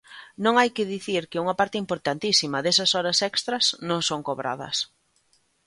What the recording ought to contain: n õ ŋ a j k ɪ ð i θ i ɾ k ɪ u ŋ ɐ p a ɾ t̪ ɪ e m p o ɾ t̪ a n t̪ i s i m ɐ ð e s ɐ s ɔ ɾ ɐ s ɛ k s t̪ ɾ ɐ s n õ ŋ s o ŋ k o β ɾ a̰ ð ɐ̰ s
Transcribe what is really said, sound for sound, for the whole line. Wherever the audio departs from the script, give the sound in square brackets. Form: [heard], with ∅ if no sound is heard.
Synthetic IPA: n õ ŋ a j k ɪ ð i θ i ɾ k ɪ u ŋ ɐ p a ɾ t̪ ɪ [i] m p o ɾ t̪ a n t̪ i s i m ɐ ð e s ɐ s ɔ ɾ ɐ s ɛ k s t̪ ɾ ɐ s n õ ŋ s o ŋ k o β ɾ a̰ ð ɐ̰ s